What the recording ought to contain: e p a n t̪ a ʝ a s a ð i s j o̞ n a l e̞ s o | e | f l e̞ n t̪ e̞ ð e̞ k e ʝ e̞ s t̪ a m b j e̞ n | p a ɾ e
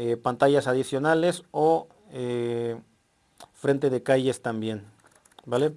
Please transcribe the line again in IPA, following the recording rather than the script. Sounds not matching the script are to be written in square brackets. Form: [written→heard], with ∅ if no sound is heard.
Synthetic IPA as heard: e p a n t̪ a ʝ a s a ð i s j o̞ n a l e̞ s o | e | f [l→ɾ] e̞ n t̪ e̞ ð e̞ k [e→a] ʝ e̞ s t̪ a m b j e̞ n | [p→b] a [ɾ→l] e

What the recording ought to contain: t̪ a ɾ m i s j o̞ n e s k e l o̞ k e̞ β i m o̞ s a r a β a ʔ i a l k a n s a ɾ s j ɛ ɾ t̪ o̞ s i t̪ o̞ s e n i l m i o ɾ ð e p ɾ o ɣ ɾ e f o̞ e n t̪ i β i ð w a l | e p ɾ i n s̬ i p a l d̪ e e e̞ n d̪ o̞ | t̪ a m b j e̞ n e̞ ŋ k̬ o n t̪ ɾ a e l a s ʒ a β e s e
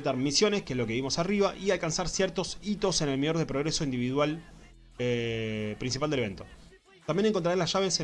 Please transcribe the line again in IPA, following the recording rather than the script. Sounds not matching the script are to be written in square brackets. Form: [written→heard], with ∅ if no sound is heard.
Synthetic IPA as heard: t̪ a ɾ m i s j o̞ n e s k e l o̞ k e̞ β i m o̞ s a r [a→i] β a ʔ i a l k a n s a ɾ s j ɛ ɾ t̪ o̞ s i t̪ o̞ s e n [i→e] l m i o ɾ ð e p ɾ o ɣ ɾ e [f→s] o̞ [e→i] n [t̪→d̪] i β i ð w a l | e p ɾ i n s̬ i p a l d̪ e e e̞ n [d̪→t̪] o̞ | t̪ a m b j e̞ n e̞ ŋ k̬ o n t̪ ɾ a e l a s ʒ a β e s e

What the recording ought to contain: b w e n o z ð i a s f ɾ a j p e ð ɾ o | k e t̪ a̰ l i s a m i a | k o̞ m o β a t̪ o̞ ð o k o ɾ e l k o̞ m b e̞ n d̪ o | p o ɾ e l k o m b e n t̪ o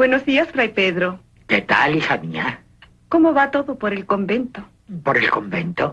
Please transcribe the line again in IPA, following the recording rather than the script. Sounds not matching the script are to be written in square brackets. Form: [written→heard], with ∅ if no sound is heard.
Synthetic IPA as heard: b w e n o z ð i a s f ɾ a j p e ð ɾ o | k e t̪ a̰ l i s a m i a | k o̞ m o β a t̪ o̞ ð o [k→p] o ɾ e l k o̞ m b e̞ n [d̪→t̪] o | p o ɾ e l k o m b e n t̪ o

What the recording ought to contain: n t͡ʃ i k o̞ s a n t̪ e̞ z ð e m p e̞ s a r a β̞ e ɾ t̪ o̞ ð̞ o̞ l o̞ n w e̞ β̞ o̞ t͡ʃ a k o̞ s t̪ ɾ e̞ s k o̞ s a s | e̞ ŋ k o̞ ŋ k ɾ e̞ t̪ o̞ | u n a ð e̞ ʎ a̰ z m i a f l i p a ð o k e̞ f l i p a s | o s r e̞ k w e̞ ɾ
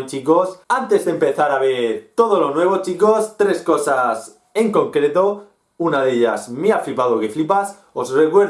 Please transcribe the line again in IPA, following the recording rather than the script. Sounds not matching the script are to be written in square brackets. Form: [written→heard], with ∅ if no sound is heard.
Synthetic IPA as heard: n t͡ʃ i k o̞ s a n t̪ e̞ z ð e m p e̞ [s→θ] a [r→ɾ] a β̞ e ɾ t̪ o̞ ð̞ o̞ l o̞ n w e̞ β̞ o̞ t͡ʃ [a→i] k o̞ s t̪ ɾ e̞ s k o̞ s a s | e̞ ŋ k o̞ ŋ k ɾ e̞ t̪ o̞ | u n a ð e̞ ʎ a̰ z m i a f l i p a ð o k e̞ f l i p a s | o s r e̞ k w e̞ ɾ

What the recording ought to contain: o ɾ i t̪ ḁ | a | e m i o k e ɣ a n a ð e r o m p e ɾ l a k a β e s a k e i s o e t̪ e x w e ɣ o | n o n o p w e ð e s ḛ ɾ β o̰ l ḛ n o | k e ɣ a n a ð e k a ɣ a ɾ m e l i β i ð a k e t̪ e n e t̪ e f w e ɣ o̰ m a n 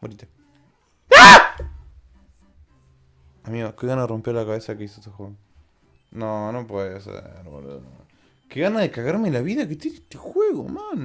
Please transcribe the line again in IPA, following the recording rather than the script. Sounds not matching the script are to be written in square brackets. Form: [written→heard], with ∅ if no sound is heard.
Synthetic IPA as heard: o ɾ i t̪ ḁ | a | [e→a] m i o k e ɣ a n a ð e r o m p e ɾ l a k a β e s a k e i s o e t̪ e x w e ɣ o | n o n o p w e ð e s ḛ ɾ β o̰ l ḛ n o | k e ɣ a n a ð e k a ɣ a ɾ m e l [i→a] β i ð a k e t̪ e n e t̪ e [f→x] w e ɣ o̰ m a n

